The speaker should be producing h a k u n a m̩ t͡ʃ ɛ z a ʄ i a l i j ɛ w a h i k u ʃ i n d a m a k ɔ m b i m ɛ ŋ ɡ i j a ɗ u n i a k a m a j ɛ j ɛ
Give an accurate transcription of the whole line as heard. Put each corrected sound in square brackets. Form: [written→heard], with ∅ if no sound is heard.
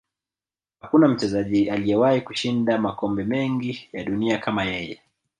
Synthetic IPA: h a k u n a m̩ t͡ʃ ɛ z a ʄ i a l i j ɛ w a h i k u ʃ i n d a m a k ɔ m b [i→ɛ] m ɛ ŋ ɡ i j a ɗ u n i a k a m a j ɛ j ɛ